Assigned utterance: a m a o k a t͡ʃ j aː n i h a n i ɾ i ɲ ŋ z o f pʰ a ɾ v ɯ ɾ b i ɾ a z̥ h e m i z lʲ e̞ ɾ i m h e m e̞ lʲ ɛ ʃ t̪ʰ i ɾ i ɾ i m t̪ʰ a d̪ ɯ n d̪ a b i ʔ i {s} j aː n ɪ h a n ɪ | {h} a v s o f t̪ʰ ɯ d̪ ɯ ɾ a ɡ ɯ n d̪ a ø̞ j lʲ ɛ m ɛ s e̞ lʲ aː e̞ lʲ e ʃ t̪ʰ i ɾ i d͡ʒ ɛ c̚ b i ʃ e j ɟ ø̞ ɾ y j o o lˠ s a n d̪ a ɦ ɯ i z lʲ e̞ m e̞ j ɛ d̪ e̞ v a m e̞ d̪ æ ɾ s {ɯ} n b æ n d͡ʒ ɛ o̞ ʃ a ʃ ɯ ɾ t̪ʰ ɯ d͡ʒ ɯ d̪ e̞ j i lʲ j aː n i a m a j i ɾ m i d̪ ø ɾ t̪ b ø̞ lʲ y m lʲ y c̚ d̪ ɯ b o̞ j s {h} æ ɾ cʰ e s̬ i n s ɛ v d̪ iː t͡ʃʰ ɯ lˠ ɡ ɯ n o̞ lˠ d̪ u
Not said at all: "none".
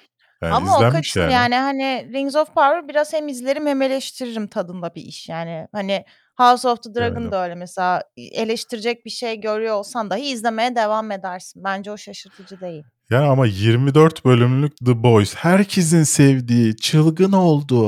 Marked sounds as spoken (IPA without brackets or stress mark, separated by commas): ʃ, h, ɯ, h